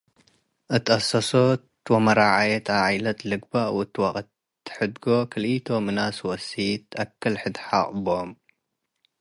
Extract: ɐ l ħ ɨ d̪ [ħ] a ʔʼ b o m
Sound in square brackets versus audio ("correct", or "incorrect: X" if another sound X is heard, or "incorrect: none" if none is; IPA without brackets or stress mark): correct